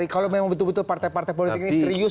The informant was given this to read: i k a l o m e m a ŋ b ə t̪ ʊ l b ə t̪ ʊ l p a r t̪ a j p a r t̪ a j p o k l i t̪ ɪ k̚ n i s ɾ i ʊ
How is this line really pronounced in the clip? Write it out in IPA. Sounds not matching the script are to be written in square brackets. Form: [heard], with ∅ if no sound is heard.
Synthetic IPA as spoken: i k a l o m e m a ŋ b ə t̪ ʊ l b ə t̪ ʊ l p a r t̪ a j p a r t̪ a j p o [∅] l i t̪ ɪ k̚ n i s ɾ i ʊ